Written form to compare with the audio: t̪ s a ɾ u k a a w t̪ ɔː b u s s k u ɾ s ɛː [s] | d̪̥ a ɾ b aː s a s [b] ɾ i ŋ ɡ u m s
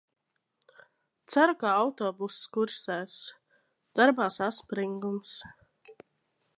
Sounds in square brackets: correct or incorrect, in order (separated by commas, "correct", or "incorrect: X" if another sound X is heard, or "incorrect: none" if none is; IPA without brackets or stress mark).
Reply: correct, incorrect: p